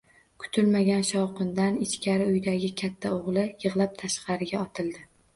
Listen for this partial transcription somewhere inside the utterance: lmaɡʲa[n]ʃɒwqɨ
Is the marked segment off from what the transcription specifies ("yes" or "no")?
no